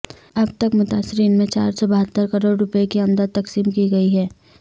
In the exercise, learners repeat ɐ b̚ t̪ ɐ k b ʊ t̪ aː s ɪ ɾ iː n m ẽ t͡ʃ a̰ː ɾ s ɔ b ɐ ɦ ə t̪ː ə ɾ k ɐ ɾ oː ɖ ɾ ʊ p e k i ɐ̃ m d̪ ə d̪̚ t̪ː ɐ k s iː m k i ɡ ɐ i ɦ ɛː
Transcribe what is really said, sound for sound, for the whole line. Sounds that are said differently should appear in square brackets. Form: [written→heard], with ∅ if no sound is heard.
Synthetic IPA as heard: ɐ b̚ t̪ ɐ k [b→m] ʊ t̪ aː s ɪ ɾ iː n m ẽ t͡ʃ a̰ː ɾ s ɔ b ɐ ɦ ə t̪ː ə ɾ k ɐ ɾ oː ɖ ɾ ʊ p e k i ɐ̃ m d̪ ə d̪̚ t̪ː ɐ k s iː m k i ɡ ɐ i ɦ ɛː